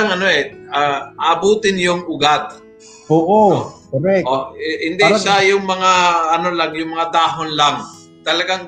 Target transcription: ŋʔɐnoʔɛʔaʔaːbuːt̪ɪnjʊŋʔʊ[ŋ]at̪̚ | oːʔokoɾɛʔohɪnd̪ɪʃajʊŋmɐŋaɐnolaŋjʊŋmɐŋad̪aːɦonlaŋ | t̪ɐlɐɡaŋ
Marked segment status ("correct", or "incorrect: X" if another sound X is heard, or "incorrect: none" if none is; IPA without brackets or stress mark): incorrect: ɡ